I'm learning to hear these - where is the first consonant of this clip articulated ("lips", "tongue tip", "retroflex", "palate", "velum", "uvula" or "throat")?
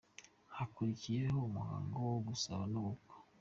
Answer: throat